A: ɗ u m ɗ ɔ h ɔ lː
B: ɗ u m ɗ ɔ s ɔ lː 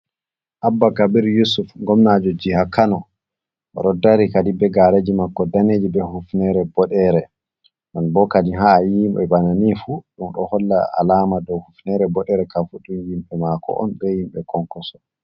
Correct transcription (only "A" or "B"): A